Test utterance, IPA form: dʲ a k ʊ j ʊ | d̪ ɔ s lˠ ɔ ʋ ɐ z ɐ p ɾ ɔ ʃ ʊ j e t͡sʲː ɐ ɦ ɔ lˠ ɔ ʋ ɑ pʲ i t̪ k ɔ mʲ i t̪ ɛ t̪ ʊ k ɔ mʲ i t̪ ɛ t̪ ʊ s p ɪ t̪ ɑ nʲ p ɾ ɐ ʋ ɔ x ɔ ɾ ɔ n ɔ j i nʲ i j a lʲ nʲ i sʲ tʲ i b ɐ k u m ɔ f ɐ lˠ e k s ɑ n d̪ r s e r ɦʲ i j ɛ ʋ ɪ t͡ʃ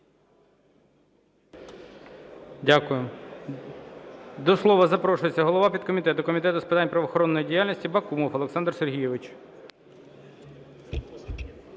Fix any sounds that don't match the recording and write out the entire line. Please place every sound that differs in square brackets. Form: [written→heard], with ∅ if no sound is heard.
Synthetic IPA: dʲ a k ʊ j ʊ | d̪ ɔ s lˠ ɔ ʋ ɐ z ɐ p ɾ ɔ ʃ ʊ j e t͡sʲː ɐ ɦ ɔ lˠ ɔ ʋ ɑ pʲ i [t̪→d̪] k ɔ mʲ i t̪ ɛ t̪ ʊ k ɔ mʲ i t̪ ɛ t̪ ʊ s p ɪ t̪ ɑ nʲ p ɾ ɐ ʋ ɔ x ɔ ɾ ɔ [n→nː] ɔ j i [nʲ→dʲ] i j a lʲ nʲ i sʲ tʲ i b ɐ k u m ɔ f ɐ lˠ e k s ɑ n d̪ r s e r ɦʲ i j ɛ ʋ ɪ t͡ʃ